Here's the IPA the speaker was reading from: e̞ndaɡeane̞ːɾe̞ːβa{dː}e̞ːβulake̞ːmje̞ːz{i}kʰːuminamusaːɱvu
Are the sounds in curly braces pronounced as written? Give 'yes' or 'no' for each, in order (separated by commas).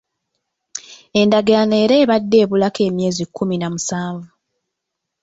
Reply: yes, yes